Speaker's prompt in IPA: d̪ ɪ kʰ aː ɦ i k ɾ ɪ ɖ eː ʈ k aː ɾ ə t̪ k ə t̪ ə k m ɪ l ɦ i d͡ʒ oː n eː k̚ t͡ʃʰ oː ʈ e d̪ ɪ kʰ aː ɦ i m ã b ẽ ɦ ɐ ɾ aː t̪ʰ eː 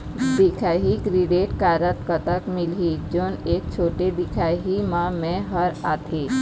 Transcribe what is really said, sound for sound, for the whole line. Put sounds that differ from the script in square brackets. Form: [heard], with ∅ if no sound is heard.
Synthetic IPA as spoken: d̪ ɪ kʰ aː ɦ i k ɾ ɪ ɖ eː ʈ k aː ɾ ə t̪ k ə t̪ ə k m ɪ l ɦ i d͡ʒ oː n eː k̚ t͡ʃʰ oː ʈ e d̪ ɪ kʰ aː ɦ i m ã [m] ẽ ɦ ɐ ɾ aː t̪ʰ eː